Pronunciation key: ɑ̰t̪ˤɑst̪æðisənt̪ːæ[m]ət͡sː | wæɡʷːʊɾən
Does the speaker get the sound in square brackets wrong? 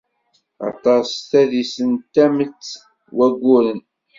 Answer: no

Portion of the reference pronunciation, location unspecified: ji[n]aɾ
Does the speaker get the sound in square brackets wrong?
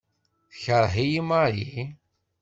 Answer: yes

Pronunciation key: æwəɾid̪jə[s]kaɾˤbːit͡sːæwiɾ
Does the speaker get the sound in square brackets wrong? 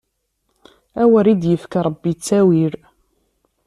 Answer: yes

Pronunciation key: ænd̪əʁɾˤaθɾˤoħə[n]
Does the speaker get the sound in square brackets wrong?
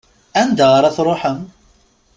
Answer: yes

